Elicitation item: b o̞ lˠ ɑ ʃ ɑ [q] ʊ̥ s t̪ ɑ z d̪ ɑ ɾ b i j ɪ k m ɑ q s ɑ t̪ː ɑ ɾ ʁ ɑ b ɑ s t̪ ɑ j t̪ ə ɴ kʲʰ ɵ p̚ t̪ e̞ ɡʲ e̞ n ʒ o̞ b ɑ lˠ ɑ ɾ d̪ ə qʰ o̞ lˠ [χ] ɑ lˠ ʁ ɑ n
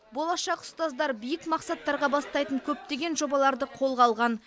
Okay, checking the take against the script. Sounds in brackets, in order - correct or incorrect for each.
correct, incorrect: ʁ

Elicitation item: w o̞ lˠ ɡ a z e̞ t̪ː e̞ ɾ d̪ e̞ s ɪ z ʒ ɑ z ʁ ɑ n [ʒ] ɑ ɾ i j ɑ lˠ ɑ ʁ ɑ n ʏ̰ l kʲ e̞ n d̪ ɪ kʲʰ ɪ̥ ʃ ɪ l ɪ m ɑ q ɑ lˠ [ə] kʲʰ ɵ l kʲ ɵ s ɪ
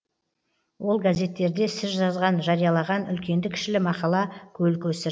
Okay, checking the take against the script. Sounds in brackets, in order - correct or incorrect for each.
correct, incorrect: ɑ

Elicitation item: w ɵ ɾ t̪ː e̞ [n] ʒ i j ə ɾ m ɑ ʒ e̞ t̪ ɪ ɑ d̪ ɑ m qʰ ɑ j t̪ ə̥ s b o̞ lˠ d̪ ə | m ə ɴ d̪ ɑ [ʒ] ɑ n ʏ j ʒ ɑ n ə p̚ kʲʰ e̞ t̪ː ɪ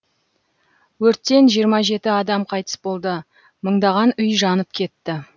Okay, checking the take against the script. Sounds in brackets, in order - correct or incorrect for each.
correct, incorrect: ʁ

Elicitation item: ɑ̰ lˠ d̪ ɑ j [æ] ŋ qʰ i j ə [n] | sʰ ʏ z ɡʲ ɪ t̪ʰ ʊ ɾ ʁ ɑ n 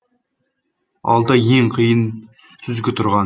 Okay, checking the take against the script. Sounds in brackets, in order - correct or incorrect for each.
incorrect: e, correct

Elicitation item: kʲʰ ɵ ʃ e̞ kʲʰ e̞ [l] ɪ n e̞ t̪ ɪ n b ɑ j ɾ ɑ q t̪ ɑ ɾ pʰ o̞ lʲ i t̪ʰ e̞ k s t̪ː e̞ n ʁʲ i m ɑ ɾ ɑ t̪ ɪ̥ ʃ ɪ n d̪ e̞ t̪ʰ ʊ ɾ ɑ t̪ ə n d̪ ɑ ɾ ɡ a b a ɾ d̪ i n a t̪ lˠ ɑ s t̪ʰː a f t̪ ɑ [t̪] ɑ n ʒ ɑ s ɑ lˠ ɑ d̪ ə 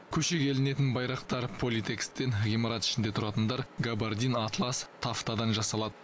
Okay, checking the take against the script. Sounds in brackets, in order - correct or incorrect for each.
correct, incorrect: d̪

